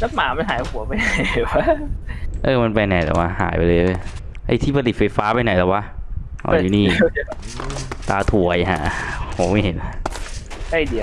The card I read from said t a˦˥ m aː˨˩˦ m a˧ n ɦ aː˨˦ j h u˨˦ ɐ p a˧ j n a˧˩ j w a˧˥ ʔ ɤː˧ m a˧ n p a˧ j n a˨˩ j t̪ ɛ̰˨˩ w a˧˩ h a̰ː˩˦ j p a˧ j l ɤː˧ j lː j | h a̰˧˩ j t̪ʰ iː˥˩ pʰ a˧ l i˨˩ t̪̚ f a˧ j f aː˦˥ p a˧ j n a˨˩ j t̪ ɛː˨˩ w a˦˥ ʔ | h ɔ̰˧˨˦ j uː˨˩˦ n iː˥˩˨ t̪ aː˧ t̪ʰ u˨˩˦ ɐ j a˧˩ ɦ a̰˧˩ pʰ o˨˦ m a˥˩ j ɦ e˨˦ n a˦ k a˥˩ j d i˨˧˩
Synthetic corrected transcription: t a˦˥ m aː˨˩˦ m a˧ n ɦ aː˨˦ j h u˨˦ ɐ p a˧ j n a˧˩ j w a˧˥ ʔ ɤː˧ m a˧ n p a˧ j n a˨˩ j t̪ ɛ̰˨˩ w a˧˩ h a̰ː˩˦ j p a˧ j l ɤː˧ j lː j | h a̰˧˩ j t̪ʰ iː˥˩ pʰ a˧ l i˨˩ t̪̚ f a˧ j f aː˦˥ p a˧ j n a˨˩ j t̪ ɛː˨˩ w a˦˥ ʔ | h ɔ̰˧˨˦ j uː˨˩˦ n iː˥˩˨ t̪ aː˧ t̪ʰ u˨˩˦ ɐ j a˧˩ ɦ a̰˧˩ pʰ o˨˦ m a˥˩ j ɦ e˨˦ n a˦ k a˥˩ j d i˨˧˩